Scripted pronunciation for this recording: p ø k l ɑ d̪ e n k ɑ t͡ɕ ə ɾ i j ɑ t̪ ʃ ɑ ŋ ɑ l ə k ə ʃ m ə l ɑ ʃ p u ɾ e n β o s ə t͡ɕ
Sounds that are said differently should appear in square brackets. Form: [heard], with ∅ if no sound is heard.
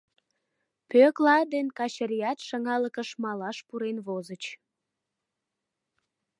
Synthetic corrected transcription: p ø k l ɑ d̪ e n k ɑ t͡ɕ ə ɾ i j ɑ t̪ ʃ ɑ ŋ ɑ l ə k ə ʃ m [ɑ] l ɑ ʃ p u ɾ e n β o [z] ə t͡ɕ